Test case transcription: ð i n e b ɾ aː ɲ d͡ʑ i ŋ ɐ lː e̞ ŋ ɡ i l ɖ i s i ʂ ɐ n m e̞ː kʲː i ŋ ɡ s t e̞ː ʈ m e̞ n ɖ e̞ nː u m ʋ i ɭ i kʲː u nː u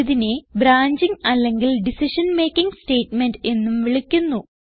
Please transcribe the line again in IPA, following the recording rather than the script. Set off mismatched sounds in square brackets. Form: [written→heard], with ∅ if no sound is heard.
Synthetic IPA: ð i n e b ɾ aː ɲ d͡ʑ i ŋ ɐ lː e̞ ŋ ɡ i l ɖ i s i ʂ ɐ n m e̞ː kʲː i ŋ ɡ s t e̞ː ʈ m e̞ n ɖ e̞ nː u m ʋ i ɭ i kʲː u nː u

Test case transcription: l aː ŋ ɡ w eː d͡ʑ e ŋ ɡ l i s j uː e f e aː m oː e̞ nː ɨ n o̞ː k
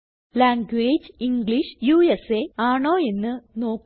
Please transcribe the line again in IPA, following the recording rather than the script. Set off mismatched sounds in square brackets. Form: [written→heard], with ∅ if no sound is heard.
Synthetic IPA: l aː ŋ ɡ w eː d͡ʑ [e→i] ŋ ɡ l i [s→ʂ] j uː e [f→s] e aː [m→ɳ] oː e̞ nː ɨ n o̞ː k

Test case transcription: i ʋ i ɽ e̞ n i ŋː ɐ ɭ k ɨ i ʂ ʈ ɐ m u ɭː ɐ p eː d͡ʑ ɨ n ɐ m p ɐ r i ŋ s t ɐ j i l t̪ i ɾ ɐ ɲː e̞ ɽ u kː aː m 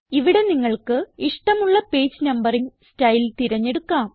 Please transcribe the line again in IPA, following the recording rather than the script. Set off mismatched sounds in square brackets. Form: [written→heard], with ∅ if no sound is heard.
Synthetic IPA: i ʋ i ɽ e̞ n i ŋː ɐ ɭ k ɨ i ʂ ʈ ɐ m u ɭː ɐ p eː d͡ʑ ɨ n ɐ m [p→b] ɐ r i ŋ s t ɐ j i l t̪ i ɾ ɐ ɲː e̞ ɽ u kː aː m

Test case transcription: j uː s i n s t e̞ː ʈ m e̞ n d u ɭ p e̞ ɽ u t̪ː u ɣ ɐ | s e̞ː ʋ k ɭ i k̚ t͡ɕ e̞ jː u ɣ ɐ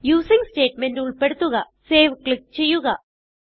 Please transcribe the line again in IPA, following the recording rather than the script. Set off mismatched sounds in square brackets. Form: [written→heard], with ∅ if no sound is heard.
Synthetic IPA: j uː s i [n→ŋ] s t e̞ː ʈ m e̞ n d u ɭ p e̞ ɽ u t̪ː u ɣ ɐ | s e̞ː ʋ k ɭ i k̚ t͡ɕ e̞ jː u ɣ ɐ

